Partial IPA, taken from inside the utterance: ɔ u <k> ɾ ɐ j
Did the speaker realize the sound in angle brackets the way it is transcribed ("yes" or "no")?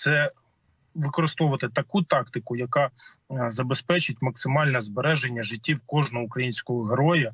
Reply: yes